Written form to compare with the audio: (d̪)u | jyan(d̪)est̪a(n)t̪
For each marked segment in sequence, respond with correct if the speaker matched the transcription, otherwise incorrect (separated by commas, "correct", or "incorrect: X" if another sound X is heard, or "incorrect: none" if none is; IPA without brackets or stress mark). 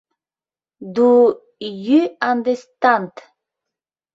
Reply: correct, correct, correct